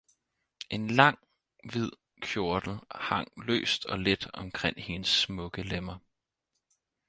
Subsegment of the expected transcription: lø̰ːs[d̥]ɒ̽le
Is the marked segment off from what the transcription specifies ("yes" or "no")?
no